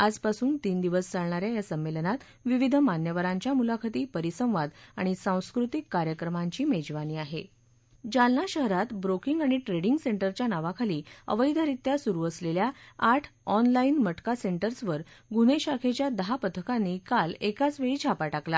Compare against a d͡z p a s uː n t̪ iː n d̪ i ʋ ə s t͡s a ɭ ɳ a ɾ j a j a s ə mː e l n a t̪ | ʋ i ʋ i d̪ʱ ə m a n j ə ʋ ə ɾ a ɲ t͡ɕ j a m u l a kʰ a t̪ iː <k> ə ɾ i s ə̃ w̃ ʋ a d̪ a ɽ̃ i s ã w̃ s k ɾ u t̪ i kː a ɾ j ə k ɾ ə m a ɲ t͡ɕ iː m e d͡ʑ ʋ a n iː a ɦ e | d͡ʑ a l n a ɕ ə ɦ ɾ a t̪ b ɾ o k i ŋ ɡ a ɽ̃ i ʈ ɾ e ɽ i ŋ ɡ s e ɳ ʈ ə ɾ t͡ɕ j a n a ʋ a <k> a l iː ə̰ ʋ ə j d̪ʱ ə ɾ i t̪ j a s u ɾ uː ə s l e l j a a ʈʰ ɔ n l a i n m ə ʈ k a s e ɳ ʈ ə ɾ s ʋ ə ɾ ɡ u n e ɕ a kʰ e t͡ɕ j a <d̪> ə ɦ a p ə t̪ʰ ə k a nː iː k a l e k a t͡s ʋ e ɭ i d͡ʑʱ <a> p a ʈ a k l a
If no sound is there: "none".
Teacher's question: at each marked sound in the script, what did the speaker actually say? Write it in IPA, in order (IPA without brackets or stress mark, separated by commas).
p, kʰ, d̪, a